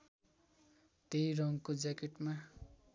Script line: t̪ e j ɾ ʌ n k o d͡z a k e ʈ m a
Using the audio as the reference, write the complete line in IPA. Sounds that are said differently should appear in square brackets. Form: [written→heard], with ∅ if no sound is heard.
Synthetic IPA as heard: t̪ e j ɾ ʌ [n→ŋ] k o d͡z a k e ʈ m a